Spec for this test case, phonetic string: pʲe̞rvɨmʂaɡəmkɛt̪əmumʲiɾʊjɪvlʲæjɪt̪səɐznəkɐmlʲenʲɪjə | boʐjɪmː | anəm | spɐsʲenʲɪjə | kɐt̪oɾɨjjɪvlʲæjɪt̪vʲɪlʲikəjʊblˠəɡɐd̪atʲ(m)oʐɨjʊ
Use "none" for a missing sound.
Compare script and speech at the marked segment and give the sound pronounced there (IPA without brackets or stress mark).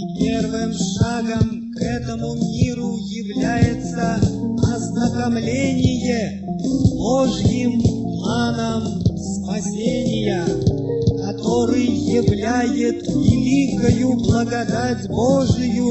b